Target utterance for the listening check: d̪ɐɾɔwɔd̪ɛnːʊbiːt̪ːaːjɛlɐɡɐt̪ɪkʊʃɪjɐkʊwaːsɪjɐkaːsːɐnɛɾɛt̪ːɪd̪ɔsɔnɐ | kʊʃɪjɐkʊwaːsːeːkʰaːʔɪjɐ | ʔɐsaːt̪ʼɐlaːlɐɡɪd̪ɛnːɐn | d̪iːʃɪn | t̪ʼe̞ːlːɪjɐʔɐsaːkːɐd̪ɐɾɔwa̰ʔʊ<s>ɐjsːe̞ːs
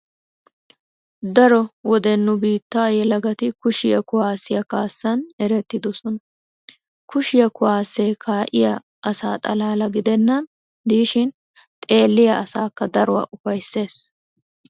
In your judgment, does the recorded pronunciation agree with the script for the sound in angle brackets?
no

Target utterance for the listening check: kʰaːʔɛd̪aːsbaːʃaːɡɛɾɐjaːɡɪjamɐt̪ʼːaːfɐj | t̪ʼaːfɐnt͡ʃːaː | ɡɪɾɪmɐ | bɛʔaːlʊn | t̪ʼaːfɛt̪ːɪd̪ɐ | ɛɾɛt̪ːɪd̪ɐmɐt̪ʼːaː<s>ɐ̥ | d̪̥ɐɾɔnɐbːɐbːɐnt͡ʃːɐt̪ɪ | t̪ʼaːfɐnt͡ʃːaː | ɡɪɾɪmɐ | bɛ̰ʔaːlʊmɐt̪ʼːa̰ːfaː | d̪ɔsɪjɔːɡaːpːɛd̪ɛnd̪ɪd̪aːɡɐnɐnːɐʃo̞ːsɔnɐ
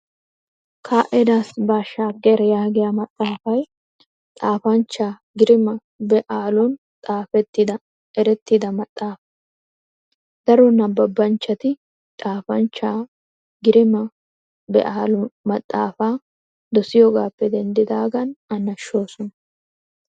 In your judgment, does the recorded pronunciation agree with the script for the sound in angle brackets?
no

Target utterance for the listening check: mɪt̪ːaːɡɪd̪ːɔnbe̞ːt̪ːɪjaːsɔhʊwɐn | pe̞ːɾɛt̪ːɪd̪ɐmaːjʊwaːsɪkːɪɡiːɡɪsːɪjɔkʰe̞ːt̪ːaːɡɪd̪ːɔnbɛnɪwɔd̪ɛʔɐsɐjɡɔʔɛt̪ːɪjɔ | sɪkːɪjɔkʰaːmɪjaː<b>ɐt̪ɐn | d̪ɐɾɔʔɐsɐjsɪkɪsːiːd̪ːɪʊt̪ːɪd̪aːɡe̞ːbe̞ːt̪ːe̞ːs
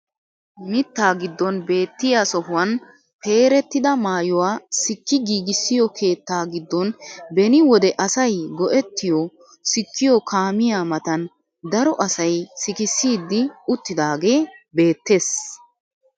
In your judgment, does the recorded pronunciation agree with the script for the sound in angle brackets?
no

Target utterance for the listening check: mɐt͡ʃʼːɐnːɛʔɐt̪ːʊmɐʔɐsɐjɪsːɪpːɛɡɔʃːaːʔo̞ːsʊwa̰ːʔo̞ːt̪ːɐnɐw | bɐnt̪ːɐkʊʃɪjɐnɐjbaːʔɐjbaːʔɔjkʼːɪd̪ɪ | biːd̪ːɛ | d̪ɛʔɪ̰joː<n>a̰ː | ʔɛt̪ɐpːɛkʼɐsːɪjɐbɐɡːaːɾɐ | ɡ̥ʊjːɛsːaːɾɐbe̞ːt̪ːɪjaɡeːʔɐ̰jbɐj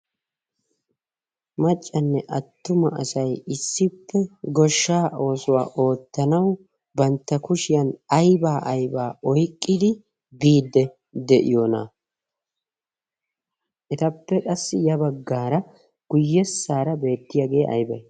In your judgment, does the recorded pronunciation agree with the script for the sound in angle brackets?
yes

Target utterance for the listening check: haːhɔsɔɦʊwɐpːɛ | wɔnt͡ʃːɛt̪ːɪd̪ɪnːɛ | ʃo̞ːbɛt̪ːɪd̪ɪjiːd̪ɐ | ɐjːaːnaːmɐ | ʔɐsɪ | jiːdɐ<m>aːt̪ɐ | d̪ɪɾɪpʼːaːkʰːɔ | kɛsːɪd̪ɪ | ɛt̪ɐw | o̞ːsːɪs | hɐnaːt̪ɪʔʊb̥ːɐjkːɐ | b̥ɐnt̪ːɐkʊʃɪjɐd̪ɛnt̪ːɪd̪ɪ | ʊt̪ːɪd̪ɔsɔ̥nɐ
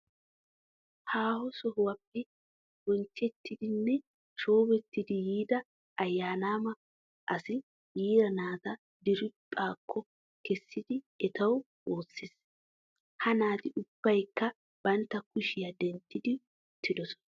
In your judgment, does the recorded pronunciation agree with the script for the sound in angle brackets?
no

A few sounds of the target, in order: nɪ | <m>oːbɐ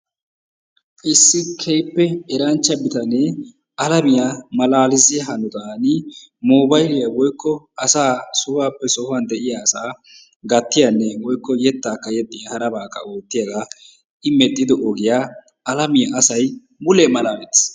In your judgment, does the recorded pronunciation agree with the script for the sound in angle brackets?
yes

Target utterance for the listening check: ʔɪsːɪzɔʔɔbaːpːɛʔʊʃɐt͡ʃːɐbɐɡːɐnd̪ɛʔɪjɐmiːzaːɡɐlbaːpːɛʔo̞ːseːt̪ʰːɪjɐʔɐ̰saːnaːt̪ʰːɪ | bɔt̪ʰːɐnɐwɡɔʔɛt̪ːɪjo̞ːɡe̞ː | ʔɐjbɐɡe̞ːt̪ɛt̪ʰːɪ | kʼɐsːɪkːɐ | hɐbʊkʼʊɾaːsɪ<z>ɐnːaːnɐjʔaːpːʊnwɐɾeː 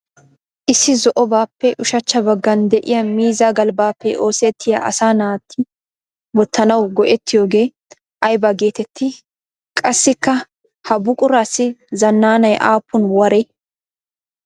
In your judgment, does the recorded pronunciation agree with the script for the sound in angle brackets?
yes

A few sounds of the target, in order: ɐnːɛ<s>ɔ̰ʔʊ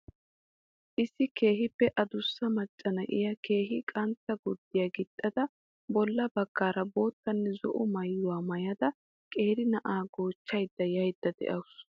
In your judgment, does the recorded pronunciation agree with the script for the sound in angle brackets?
no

